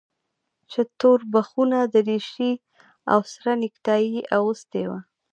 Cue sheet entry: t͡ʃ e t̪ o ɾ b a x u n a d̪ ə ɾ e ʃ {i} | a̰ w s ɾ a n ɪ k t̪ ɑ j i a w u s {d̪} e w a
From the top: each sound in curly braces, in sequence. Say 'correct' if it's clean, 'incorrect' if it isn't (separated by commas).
correct, incorrect